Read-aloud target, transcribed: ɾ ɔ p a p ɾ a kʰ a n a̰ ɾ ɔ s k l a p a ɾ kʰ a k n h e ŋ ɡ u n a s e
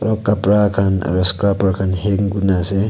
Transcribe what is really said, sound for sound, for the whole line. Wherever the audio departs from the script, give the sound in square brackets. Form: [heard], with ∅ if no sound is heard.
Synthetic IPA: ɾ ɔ [k] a p ɾ a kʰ a n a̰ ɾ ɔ s k [ɾ] a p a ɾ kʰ a [∅] n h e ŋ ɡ u n a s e